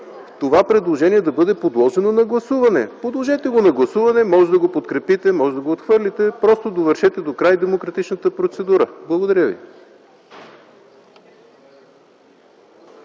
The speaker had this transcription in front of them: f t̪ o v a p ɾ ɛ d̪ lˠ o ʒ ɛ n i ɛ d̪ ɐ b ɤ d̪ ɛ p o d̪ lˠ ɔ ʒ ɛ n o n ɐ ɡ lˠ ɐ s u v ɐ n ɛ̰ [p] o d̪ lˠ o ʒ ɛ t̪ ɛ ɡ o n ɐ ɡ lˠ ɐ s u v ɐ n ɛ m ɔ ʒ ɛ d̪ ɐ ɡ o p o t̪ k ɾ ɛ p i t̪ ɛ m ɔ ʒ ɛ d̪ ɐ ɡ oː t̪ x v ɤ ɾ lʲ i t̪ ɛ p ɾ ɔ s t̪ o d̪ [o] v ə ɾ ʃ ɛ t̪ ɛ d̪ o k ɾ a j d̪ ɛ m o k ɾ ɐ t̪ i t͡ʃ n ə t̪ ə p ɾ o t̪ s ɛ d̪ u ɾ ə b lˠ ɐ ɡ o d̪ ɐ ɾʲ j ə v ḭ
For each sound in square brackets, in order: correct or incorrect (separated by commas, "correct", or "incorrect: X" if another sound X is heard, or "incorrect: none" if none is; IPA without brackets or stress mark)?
correct, correct